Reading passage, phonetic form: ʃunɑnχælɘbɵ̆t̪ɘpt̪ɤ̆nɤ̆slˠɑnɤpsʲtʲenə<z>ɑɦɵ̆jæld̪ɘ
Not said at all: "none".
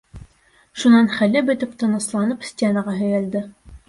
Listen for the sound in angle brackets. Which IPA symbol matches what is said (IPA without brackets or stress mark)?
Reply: ʁ